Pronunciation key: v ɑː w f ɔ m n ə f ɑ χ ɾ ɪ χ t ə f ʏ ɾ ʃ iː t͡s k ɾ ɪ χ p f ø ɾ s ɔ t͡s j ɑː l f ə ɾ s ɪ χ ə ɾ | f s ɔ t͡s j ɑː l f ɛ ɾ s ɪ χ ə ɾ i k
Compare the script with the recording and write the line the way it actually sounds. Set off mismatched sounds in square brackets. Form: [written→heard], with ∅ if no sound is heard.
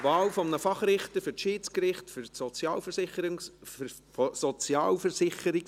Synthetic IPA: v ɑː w f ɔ m n ə f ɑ χ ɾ ɪ χ t ə f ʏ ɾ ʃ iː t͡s k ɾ ɪ χ [p→t] f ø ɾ s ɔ t͡s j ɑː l f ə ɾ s ɪ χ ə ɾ | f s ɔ t͡s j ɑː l f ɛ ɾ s ɪ χ ə ɾ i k